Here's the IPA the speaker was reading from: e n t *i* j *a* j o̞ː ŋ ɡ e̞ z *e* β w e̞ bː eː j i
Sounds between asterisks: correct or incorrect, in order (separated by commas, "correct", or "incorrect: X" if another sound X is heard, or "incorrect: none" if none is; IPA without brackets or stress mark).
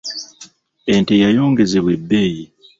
incorrect: e, correct, correct